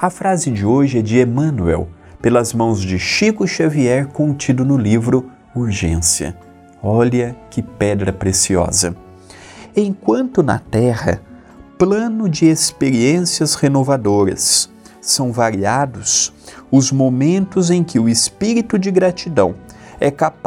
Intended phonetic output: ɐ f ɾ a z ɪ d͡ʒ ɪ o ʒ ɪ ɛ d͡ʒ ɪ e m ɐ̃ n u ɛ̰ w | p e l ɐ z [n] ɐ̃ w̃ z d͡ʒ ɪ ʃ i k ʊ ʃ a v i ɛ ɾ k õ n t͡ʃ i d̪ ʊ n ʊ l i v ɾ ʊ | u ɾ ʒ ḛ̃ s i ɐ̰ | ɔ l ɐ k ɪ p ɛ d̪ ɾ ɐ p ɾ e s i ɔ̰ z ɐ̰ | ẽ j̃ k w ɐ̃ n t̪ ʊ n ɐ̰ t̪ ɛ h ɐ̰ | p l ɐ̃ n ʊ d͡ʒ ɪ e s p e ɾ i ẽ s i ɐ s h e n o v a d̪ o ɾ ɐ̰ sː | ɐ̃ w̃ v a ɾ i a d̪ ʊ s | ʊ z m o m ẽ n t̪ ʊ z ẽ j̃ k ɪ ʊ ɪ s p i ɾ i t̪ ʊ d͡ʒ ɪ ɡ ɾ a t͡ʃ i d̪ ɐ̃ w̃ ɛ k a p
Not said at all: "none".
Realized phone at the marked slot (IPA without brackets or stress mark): m